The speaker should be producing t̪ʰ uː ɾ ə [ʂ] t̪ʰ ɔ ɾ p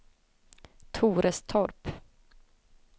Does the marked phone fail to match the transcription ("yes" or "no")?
yes